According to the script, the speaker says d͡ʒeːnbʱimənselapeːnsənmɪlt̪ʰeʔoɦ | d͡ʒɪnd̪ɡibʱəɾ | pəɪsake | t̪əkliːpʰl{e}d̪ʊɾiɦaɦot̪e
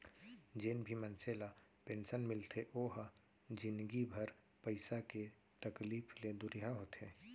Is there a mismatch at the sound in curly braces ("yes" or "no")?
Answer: no